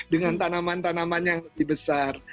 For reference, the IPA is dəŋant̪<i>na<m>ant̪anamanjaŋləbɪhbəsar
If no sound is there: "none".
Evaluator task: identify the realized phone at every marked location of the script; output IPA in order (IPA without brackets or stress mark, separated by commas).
a, m